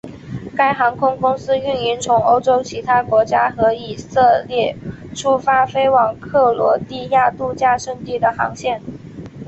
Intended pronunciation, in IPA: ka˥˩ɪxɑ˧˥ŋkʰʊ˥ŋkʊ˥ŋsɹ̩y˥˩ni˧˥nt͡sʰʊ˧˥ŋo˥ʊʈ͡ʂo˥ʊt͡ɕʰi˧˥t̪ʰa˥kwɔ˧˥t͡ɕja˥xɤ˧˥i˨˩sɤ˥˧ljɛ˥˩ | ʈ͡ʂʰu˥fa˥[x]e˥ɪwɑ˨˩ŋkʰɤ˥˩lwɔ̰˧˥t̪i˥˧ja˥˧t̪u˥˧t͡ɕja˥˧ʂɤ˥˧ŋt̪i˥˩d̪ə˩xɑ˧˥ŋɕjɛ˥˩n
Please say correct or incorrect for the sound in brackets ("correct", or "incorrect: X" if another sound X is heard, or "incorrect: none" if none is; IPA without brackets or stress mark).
incorrect: f